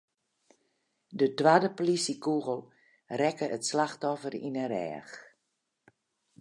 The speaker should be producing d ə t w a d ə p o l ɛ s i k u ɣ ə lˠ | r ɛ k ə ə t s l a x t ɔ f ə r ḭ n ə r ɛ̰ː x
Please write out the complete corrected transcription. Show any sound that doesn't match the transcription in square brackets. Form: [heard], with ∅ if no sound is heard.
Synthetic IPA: d ə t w a d ə p o l [i] s i k u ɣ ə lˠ | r ɛ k ə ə t s l a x t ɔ f ə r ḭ n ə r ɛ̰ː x